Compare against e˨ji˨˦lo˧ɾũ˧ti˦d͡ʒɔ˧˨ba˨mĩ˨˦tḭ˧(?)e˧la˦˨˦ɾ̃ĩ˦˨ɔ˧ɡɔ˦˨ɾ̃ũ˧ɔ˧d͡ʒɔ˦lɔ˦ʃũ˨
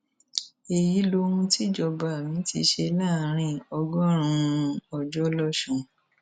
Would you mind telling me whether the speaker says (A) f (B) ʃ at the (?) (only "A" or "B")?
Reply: B